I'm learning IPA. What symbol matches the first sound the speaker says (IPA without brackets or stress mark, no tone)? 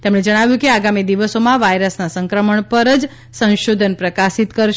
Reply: t̪